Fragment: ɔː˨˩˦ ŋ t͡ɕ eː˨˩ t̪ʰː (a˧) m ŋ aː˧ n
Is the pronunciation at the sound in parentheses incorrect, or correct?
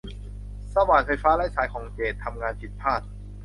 correct